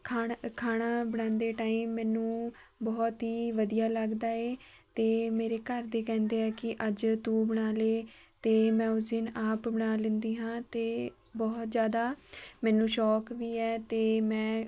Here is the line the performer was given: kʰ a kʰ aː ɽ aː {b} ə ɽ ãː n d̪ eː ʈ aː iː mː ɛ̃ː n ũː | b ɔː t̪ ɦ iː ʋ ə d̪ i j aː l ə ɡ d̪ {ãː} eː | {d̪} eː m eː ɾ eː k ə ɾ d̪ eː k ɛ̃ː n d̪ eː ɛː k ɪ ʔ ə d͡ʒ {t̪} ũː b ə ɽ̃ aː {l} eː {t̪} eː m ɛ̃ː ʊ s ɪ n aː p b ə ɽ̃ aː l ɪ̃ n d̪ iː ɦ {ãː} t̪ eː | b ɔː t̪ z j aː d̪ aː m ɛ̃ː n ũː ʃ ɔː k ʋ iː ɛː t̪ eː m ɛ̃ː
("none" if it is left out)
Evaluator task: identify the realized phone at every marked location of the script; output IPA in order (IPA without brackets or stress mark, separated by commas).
b, aː, t̪, t̪, l, t̪, ãː